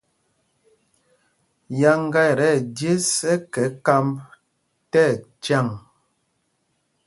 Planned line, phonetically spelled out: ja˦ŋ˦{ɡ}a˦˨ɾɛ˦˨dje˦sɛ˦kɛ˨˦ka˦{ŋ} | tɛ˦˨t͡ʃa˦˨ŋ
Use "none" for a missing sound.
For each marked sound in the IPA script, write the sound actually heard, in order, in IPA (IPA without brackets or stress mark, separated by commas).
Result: ɡ, m